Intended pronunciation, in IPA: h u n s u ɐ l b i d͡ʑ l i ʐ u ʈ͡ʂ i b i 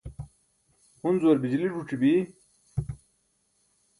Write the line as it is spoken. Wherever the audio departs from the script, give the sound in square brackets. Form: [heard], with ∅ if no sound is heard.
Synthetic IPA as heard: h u n [z] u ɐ [ɾ] b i d͡ʑ l i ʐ u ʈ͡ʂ i b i